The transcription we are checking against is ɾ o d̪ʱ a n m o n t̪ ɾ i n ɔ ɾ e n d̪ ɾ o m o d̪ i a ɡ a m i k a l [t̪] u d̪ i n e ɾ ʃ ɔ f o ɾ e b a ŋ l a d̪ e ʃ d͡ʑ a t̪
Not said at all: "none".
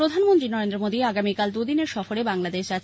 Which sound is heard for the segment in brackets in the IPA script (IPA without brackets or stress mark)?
d̪